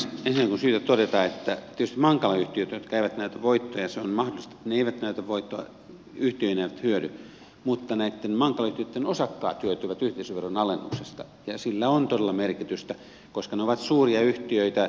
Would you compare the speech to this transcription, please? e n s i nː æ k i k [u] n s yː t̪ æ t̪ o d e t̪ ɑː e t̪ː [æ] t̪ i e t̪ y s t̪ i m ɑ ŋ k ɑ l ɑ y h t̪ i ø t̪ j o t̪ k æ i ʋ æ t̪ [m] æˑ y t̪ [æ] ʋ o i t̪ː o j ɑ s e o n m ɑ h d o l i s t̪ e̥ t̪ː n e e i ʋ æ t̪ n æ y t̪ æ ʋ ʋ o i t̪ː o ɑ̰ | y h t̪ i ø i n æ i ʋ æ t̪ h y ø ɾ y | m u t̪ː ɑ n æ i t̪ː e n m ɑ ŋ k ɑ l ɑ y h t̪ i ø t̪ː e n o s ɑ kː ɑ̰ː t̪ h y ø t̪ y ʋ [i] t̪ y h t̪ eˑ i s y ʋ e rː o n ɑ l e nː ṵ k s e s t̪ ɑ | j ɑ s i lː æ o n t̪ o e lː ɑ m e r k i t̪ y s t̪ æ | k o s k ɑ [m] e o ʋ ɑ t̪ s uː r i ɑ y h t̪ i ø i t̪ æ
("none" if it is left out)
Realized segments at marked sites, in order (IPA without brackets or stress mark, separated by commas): u, æ, n, æ, æ, n